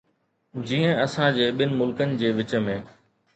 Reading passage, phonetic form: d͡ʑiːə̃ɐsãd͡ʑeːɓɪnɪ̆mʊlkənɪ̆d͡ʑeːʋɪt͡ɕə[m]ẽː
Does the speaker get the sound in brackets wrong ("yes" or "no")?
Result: no